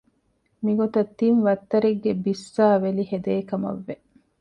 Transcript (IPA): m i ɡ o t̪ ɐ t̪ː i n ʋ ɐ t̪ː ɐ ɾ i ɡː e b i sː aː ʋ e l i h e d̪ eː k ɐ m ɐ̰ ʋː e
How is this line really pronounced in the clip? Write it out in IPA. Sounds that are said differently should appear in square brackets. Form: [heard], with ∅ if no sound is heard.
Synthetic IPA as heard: m i ɡ o t̪ ɐ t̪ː i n ʋ ɐ t̪ː ɐ ɾ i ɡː e b i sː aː ʋ e l i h e d̪ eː k ɐ m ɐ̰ ʋː e